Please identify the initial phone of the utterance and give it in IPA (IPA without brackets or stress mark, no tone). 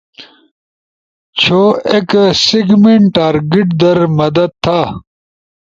t͡ɕʰ